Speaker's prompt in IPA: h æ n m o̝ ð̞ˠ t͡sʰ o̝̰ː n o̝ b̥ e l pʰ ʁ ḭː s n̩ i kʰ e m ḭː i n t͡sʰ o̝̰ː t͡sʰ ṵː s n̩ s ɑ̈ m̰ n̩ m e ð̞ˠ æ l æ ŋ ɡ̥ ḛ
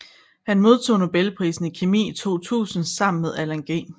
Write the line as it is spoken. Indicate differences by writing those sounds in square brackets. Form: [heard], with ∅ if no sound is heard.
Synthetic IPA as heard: h æ n m o̝ ð̞ˠ t͡sʰ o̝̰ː n o̝ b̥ e l pʰ ʁ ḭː s n̩ i kʰ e m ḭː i [∅] t͡sʰ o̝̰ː t͡sʰ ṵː s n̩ s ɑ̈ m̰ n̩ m e ð̞ˠ æ l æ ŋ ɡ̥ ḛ